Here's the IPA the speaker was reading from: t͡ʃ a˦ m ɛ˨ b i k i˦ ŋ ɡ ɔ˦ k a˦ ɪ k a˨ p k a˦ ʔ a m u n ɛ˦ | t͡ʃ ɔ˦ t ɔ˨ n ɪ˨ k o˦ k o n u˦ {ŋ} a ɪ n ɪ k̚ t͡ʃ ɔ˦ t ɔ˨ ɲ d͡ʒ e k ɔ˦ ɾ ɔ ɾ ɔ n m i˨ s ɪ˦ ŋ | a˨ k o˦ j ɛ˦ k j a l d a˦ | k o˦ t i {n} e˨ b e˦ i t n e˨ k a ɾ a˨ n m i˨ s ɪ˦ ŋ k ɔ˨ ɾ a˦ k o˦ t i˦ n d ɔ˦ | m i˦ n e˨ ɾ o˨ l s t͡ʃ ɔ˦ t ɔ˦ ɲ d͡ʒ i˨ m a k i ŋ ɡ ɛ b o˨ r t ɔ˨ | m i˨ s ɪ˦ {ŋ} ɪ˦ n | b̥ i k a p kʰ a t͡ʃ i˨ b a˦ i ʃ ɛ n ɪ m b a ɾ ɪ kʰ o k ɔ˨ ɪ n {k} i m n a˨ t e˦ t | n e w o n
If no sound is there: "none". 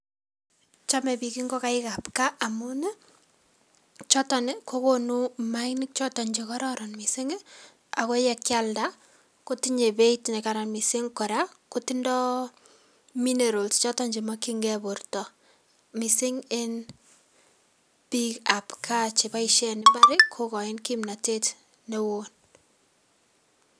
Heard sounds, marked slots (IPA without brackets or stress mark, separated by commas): m, ɲ, ŋ, k